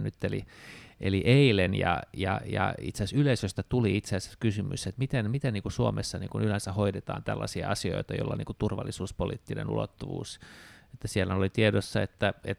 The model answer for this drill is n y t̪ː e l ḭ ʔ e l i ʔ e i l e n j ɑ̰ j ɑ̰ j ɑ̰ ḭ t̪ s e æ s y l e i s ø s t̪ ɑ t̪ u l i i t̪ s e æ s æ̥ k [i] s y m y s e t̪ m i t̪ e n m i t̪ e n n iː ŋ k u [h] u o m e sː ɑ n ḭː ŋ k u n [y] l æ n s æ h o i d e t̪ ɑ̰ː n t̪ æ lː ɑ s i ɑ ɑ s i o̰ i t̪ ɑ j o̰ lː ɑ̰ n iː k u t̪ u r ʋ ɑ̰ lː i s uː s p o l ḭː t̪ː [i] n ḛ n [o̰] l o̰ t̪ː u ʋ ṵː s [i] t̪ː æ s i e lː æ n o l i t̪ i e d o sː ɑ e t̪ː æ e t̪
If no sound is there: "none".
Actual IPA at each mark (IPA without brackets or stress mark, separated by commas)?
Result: y, s, y, i, ṵ, e